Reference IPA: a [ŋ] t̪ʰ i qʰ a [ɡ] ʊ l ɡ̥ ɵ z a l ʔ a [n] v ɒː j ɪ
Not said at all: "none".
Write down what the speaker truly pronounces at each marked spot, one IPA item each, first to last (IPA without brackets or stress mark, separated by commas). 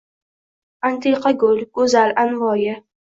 n, ɡ, n